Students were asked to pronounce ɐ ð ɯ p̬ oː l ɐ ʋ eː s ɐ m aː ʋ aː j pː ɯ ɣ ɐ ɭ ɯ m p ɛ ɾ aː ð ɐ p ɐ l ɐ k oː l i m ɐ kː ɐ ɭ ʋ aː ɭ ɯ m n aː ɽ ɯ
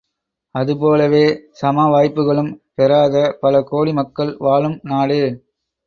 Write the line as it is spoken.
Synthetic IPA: ɐ ð ɯ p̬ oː l ɐ ʋ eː s ɐ m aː ʋ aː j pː ɯ ɣ ɐ ɭ ɯ m p ɛ ɾ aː ð ɐ p ɐ l ɐ k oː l i m ɐ kː ɐ ɭ ʋ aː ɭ ɯ m n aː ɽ ɯ